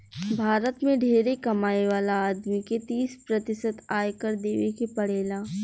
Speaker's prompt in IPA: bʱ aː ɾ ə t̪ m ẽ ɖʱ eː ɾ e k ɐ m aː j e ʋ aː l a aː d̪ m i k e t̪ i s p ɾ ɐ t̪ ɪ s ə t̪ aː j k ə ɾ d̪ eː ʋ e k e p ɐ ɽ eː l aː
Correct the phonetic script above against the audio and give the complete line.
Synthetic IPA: bʱ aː ɾ ə t̪ m ẽ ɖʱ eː ɾ e k ɐ m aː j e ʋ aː l a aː d̪ m i k e t̪ iː s p ɾ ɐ t̪ ɪ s ə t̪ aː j k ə ɾ d̪ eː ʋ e k e p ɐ ɽ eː l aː